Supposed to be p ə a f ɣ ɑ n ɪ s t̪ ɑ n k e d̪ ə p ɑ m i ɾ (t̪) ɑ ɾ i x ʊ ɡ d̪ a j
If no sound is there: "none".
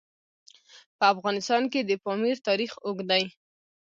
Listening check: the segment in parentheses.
t̪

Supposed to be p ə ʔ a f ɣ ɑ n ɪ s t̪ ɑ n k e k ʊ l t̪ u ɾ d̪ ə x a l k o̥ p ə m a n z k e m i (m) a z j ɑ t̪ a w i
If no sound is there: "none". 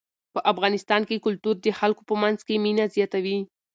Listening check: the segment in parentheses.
n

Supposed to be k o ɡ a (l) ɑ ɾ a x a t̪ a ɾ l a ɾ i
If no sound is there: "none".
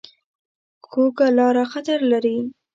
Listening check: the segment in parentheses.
l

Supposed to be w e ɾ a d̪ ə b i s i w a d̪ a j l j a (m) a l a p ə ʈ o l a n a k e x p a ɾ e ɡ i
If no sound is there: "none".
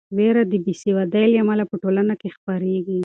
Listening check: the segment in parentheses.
m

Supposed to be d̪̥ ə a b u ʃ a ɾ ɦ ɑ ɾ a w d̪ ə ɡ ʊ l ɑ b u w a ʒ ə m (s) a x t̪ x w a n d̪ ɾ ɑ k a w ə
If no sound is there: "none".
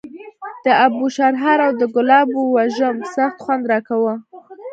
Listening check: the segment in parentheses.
s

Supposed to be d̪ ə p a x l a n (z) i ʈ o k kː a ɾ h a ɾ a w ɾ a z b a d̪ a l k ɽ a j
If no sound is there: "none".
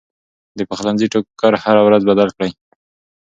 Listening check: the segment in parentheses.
z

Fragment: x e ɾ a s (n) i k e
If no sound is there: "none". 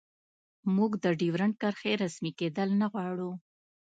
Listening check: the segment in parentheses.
m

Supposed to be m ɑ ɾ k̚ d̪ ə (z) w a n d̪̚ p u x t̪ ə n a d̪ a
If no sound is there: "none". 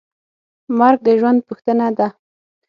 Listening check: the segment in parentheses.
ʒ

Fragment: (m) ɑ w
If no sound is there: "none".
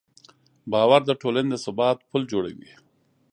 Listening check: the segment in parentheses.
b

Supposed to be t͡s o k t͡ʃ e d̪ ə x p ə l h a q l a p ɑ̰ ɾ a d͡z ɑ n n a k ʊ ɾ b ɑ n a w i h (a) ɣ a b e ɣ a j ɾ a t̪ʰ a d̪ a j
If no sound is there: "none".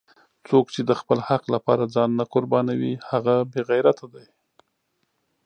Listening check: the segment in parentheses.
a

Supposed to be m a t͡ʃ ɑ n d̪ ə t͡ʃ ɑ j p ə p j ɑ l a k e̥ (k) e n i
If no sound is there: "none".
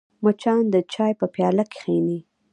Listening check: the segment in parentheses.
x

